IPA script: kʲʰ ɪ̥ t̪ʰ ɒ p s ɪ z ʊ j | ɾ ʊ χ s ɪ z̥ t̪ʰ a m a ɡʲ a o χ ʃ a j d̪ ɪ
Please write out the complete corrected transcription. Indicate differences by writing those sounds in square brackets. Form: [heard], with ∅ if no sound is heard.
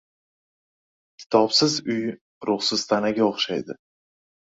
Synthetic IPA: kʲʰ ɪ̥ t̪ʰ ɒ p s ɪ z ʊ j | ɾ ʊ χ s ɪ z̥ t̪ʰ a [n] a ɡʲ a o χ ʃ a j d̪ ɪ